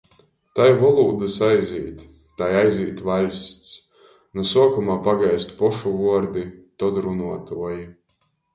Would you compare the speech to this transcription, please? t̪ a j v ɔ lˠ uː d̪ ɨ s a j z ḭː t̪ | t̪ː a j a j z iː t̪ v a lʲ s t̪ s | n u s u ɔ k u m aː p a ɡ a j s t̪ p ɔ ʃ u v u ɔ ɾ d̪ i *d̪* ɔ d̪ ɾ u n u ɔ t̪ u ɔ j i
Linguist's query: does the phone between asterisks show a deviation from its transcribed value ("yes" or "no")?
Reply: yes